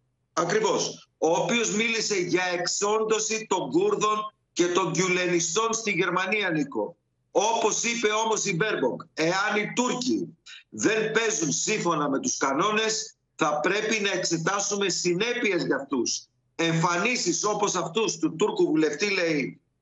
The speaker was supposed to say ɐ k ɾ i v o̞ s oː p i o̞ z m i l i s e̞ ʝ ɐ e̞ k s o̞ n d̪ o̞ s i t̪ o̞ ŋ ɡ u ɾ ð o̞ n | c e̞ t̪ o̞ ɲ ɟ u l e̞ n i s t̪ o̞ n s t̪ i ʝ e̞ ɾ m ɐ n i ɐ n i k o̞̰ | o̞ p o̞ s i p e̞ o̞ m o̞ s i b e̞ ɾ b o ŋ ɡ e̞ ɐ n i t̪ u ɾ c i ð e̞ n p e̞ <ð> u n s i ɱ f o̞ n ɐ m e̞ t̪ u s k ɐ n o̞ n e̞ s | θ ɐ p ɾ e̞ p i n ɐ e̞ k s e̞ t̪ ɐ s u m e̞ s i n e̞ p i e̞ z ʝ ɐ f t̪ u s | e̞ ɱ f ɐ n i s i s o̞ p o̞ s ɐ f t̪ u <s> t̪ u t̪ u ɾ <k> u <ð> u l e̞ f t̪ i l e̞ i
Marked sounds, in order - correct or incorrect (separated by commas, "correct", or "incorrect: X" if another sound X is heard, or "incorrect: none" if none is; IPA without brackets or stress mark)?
incorrect: z, correct, correct, incorrect: v